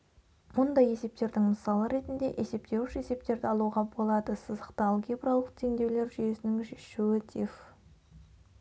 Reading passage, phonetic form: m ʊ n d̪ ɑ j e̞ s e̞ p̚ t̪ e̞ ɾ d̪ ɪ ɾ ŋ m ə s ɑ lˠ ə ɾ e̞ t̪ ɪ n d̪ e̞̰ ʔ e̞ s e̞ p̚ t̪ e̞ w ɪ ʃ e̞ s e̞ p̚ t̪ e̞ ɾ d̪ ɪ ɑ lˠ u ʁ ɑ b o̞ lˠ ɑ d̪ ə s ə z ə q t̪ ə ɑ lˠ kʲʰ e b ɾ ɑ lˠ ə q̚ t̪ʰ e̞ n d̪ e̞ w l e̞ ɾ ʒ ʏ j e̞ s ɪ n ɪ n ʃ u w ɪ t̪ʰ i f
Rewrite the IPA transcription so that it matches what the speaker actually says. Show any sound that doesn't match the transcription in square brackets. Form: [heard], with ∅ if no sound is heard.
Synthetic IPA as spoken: m ʊ n d̪ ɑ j e̞ s e̞ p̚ t̪ e̞ ɾ d̪ ɪ [∅] ŋ m ə s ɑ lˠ ə ɾ e̞ t̪ ɪ n d̪ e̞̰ ʔ e̞ s e̞ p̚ t̪ e̞ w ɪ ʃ e̞ s e̞ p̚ t̪ e̞ ɾ d̪ ɪ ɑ lˠ u ʁ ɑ b o̞ lˠ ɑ d̪ ə s ə z ə q t̪ ə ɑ lˠ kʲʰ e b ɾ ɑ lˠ ə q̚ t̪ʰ e̞ [ŋ] d̪ e̞ w l e̞ ɾ ʒ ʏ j e̞ s ɪ n ɪ [ŋ] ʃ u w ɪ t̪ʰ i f